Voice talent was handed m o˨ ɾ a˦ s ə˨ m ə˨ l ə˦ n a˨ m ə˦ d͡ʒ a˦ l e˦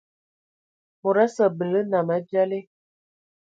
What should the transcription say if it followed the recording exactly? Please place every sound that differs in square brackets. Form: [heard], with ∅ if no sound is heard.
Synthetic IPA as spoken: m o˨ ɾ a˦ s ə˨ [b] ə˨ l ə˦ n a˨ m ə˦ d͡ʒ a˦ l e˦